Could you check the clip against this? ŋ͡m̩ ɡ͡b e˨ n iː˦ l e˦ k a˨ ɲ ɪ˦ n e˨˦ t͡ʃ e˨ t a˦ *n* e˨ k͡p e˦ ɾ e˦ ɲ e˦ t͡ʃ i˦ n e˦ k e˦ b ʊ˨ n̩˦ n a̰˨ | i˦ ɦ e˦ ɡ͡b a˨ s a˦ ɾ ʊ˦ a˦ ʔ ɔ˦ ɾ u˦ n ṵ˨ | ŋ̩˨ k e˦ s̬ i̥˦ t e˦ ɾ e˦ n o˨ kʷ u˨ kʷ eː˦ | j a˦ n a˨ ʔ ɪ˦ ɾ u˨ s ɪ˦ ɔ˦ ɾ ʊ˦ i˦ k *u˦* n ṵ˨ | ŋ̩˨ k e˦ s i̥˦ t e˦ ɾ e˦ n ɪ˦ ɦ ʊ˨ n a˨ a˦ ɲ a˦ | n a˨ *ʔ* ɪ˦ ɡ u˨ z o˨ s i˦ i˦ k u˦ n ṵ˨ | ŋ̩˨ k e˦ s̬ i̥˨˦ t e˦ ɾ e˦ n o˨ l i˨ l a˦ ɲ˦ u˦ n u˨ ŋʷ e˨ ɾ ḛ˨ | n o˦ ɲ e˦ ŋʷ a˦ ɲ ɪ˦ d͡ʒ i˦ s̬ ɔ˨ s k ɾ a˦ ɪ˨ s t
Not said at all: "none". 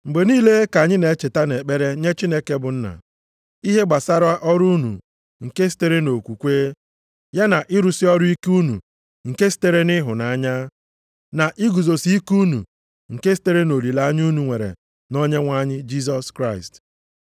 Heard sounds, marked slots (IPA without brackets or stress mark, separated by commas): n, u˦, ʔ